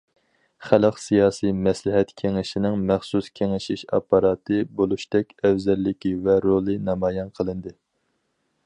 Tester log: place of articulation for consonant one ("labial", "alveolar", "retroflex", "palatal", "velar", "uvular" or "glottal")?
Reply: uvular